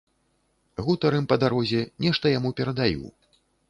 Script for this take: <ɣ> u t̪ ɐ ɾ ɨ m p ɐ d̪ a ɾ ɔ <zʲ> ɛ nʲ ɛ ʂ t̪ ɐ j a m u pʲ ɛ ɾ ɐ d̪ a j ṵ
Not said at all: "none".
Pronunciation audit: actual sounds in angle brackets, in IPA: ɣ, zʲ

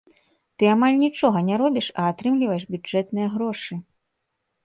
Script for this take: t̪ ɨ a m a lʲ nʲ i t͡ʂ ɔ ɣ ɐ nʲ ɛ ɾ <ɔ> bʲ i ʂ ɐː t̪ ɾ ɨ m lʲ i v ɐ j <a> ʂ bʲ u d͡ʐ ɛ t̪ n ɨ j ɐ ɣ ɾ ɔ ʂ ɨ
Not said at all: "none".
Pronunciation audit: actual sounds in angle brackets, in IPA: ɔ, ɛ

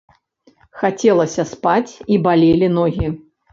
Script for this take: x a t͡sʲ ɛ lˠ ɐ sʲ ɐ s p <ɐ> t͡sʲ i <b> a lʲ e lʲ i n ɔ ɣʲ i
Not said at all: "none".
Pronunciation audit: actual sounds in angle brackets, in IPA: a, b

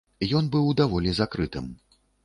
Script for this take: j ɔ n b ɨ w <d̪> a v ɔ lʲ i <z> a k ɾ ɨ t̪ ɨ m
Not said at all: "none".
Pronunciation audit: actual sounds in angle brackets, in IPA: d̪, z

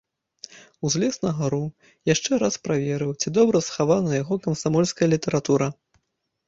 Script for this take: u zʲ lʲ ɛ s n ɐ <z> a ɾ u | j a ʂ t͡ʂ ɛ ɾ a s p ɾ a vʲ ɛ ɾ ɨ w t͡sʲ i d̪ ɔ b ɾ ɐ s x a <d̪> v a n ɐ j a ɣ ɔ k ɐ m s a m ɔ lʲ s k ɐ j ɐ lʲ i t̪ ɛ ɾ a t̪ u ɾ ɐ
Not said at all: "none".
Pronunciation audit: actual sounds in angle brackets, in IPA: ɣ, none

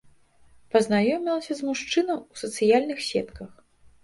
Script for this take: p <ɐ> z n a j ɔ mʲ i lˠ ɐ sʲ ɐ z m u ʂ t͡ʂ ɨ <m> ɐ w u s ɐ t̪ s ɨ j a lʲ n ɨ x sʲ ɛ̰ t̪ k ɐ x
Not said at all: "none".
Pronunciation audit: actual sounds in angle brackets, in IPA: ɐ, n

